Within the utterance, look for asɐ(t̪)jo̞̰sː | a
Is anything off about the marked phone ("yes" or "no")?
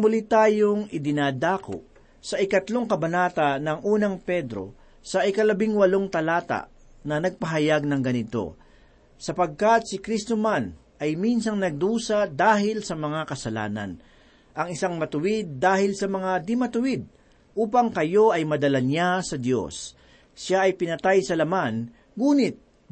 yes